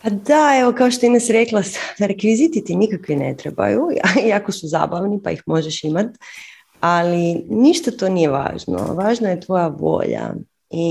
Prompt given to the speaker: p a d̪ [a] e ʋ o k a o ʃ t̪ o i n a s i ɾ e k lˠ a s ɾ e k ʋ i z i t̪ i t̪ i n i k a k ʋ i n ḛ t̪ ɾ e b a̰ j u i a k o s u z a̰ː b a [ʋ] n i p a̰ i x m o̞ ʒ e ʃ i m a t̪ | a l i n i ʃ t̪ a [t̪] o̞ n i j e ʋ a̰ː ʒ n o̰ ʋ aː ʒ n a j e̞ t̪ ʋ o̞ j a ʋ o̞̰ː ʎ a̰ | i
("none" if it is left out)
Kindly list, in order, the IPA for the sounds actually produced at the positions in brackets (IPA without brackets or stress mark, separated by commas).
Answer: a, ʋ, t̪